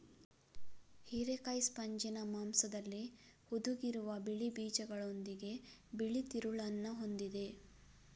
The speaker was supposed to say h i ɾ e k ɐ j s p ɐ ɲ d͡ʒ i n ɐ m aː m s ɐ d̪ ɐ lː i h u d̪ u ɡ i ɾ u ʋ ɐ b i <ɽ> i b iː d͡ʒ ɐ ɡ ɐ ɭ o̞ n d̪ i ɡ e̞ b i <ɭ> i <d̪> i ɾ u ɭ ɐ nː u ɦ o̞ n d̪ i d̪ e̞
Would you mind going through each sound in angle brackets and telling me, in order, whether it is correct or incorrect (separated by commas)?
incorrect, correct, incorrect